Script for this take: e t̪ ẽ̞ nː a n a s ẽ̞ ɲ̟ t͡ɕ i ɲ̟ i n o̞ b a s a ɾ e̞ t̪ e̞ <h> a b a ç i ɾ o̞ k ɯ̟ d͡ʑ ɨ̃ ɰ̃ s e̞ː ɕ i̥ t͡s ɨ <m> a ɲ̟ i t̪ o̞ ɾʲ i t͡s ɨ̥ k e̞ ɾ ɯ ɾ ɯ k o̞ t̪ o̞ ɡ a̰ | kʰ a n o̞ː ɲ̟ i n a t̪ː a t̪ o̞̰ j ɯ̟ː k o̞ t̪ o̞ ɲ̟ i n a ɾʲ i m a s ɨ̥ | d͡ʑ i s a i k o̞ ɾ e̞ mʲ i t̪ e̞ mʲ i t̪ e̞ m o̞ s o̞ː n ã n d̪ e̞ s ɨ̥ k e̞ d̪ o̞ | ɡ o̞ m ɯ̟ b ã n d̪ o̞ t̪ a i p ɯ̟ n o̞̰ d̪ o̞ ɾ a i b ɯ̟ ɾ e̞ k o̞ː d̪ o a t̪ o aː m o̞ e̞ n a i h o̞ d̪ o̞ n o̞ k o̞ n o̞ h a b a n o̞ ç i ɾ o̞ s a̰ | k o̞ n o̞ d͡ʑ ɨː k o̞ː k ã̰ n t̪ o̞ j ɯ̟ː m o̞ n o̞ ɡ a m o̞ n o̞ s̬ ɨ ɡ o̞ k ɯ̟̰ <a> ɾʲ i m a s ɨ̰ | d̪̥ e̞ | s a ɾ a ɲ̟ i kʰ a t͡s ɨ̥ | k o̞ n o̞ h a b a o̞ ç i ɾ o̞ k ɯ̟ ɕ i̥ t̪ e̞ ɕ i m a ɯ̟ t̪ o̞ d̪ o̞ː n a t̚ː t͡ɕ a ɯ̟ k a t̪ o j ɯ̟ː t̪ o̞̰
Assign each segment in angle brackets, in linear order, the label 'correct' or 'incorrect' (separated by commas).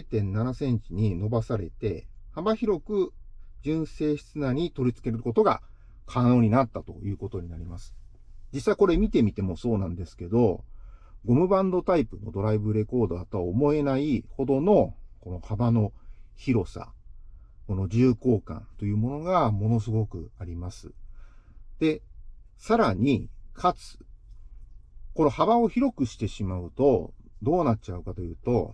correct, incorrect, correct